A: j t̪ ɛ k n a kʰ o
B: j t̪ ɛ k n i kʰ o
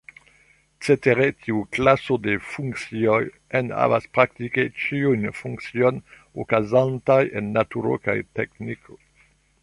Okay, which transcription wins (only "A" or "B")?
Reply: B